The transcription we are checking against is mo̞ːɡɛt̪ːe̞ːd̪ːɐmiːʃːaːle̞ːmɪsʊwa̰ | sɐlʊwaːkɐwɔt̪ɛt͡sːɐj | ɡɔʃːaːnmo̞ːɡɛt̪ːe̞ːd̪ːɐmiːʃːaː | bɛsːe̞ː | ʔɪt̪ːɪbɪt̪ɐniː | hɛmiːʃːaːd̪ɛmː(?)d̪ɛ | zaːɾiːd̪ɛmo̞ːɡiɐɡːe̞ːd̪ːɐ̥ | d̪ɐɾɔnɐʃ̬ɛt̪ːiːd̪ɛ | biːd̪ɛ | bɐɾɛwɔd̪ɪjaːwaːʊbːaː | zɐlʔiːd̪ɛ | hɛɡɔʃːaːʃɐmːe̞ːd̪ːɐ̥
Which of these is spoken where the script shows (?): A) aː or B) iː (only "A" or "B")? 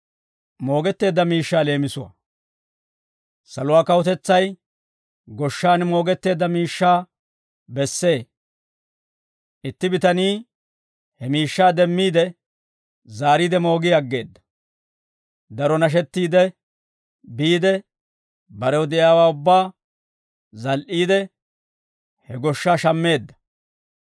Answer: B